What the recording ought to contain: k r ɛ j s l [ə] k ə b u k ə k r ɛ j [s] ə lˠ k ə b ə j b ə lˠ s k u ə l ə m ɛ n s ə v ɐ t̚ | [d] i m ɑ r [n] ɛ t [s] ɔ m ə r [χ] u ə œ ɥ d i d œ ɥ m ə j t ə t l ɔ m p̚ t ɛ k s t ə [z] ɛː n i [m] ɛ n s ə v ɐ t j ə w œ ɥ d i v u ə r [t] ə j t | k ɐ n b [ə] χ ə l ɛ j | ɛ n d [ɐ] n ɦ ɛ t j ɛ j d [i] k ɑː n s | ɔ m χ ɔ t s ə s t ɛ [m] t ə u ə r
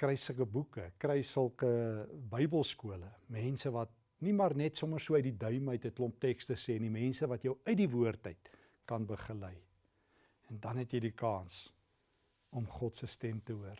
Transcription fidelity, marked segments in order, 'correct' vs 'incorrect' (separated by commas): correct, correct, incorrect, correct, correct, incorrect, incorrect, correct, correct, correct, correct, correct, correct